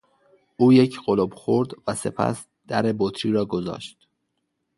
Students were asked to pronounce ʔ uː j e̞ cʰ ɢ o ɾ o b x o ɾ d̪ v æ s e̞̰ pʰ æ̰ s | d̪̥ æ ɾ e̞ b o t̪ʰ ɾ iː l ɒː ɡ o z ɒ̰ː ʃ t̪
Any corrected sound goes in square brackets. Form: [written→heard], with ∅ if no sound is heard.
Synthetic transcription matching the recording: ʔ uː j e̞ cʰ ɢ o [ɾ→l] o b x o ɾ d̪ v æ s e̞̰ pʰ æ̰ s | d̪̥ æ ɾ e̞ b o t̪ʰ ɾ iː [l→ɾ] ɒː ɡ o z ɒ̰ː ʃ t̪